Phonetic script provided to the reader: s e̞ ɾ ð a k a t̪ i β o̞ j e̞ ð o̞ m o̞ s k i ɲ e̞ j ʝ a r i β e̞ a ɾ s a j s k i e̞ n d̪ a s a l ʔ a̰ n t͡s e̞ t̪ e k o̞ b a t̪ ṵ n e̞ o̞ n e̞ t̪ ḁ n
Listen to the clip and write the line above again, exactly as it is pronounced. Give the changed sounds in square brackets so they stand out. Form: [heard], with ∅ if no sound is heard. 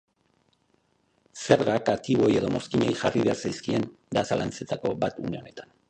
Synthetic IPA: s e̞ ɾ [ɣ] a k a t̪ i β o̞ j e̞ ð o̞ m o̞ s k i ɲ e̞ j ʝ a r i β e̞ a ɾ s a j s k i e̞ n d̪ a s a l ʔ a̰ n t͡s e̞ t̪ [a] k o̞ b a t̪ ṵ n e̞ o̞ n e̞ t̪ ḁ n